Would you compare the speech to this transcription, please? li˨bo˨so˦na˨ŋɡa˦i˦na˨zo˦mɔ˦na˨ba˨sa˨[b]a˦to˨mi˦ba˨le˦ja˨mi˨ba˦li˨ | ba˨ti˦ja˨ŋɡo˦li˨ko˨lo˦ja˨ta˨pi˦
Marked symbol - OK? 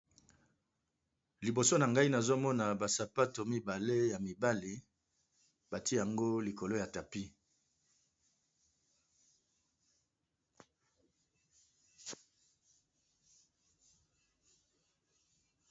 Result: no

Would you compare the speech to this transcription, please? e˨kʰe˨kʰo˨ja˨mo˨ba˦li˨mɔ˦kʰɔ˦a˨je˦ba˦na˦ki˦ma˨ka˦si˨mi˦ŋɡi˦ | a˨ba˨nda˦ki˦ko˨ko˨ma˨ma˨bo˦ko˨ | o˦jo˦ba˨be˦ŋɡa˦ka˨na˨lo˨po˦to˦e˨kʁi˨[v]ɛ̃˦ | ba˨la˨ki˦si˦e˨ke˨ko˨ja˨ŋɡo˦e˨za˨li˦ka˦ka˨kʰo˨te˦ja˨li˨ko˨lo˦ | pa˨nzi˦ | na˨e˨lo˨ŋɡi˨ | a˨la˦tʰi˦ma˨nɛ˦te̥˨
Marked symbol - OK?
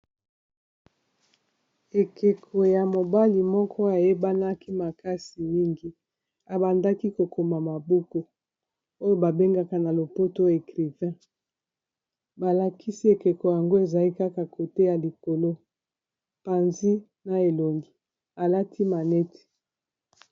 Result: yes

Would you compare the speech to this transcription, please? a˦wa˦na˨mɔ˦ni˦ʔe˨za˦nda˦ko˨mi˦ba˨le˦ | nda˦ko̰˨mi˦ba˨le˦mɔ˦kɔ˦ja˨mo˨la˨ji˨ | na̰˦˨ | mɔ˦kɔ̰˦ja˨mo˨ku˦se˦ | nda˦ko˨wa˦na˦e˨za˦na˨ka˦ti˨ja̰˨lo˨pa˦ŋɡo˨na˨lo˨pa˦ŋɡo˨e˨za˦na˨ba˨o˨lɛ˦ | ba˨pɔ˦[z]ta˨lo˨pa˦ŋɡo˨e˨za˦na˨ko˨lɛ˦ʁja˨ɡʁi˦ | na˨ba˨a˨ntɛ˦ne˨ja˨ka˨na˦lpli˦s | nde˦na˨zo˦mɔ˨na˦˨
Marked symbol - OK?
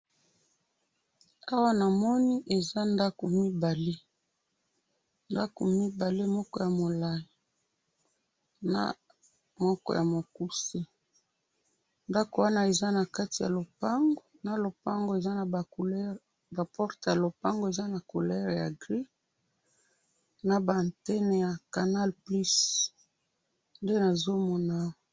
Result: no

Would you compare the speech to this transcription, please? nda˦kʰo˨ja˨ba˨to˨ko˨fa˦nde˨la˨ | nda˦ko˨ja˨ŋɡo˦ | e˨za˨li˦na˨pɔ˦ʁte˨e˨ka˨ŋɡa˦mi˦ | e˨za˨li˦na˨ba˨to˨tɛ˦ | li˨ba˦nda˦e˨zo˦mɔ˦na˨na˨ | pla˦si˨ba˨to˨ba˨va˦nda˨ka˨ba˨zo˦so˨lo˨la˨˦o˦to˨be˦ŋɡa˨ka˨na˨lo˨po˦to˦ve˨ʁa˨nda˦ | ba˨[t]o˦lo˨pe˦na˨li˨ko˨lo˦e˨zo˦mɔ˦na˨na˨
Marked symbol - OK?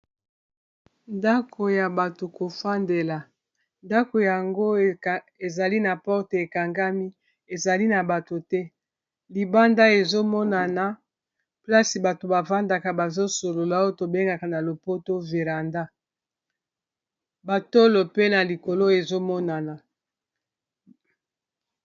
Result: yes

